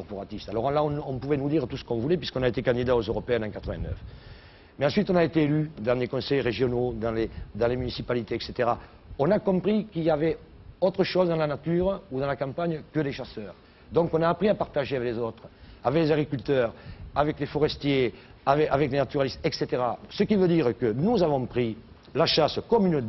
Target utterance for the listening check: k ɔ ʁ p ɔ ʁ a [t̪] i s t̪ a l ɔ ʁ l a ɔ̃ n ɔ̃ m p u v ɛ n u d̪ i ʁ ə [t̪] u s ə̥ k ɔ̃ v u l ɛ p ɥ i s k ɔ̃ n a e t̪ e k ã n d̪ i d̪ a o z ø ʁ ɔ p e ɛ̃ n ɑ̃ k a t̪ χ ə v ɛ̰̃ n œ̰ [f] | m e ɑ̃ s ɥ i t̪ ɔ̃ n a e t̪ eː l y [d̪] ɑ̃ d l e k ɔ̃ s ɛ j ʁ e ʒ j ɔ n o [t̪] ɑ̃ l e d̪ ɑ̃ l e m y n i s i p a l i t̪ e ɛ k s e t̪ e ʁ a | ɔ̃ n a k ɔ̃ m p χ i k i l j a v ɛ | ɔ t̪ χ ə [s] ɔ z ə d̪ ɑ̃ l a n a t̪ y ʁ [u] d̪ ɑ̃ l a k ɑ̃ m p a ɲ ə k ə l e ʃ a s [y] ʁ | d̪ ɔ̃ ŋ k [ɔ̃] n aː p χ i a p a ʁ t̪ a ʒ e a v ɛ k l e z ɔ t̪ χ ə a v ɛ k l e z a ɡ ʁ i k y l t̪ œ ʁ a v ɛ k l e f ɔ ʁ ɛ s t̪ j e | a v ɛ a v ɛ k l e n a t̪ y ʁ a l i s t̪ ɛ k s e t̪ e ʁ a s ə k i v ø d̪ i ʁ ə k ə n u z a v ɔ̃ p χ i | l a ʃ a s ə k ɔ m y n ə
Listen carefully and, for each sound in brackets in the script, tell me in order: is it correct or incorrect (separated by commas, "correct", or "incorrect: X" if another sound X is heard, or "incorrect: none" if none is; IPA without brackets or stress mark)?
correct, correct, correct, correct, incorrect: d̪, incorrect: ʃ, correct, incorrect: œ, correct